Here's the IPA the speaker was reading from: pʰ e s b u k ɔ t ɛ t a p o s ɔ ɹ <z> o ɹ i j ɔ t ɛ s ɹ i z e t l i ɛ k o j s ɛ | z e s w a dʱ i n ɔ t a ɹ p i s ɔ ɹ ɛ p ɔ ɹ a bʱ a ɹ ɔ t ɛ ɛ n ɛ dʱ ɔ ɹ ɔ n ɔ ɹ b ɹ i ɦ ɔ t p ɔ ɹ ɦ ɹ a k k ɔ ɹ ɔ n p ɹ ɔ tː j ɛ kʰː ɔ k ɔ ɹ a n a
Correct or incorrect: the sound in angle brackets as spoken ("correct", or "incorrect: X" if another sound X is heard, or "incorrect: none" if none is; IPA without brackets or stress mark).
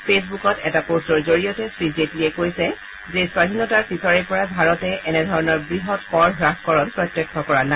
correct